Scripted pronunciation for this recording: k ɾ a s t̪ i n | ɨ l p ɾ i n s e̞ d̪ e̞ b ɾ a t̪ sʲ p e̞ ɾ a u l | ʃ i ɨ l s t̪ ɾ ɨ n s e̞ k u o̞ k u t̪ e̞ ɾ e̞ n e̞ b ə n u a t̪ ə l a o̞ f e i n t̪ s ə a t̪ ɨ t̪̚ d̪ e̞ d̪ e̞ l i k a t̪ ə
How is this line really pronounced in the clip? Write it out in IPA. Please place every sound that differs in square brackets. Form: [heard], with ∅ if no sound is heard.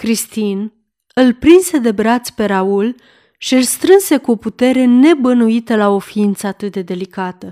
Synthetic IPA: k ɾ [i] s t̪ i n | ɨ l p ɾ i n s e̞ d̪ e̞ b ɾ a t̪ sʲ p e̞ ɾ a u l | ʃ i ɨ l s t̪ ɾ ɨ n s e̞ k u o̞ [p] u t̪ e̞ ɾ e̞ n e̞ b ə n u [i] t̪ ə l a o̞ f [i] i n t̪ s ə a t̪ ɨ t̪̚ d̪ e̞ d̪ e̞ l i k a t̪ ə